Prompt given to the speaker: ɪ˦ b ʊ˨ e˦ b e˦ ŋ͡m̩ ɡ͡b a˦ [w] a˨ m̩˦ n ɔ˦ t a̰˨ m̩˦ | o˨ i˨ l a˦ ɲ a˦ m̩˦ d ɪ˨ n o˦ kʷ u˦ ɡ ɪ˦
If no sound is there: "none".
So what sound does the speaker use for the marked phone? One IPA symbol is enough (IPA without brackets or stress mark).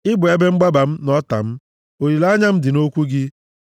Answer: b